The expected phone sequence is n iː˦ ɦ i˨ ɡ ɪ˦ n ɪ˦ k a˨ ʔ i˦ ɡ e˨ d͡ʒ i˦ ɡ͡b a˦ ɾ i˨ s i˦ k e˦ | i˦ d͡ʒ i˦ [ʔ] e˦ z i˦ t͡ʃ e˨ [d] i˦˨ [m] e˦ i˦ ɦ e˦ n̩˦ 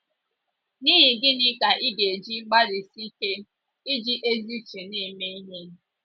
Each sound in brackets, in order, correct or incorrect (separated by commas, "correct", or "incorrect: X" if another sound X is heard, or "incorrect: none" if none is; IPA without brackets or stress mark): correct, incorrect: n, correct